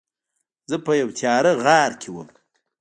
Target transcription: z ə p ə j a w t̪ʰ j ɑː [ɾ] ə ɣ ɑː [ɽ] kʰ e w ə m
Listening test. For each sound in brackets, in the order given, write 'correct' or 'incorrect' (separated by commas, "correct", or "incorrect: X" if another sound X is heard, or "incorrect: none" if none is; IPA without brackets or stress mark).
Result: correct, incorrect: ɾ